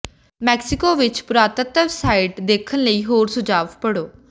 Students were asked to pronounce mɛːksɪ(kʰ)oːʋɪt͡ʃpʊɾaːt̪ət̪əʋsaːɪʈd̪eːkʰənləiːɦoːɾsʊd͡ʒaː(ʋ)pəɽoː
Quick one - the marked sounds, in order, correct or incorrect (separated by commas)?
incorrect, correct